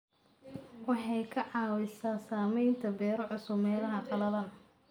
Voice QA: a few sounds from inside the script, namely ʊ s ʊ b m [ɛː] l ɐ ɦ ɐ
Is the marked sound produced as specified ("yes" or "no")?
yes